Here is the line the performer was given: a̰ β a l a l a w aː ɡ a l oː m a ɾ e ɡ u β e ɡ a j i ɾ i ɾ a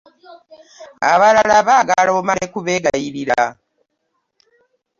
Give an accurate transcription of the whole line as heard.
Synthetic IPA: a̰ β a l a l a β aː ɡ a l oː m a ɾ e k u β e ɡ a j i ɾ i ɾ a

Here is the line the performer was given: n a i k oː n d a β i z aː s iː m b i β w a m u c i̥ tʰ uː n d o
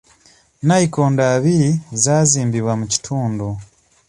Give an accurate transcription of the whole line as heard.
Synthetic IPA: n a i k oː n d a β i z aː z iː m b i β w a m u c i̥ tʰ uː n d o

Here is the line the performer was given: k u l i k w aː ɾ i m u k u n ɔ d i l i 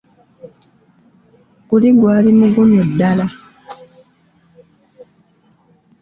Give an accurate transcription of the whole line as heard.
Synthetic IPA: k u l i ɡ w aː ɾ i m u ɡ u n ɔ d a l a

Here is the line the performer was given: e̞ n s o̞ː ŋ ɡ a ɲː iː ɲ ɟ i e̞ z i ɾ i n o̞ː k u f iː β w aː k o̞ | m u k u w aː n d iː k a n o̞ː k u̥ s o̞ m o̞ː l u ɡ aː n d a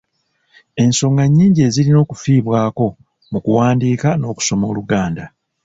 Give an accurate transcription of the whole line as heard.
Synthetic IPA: e̞ n s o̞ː ŋ ɡ a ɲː iː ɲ ɟ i e̞ z i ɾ i n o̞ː k u f iː β w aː k o̞ | m u k u w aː n d iː k a n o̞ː k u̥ s o̞ m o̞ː l u ɡ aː n d a

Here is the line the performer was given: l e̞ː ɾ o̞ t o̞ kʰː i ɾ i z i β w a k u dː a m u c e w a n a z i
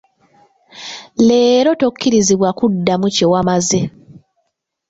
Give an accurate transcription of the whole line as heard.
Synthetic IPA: l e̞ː ɾ o̞ t o̞ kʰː i ɾ i z i β w a k u dː a m u c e w a m a z e

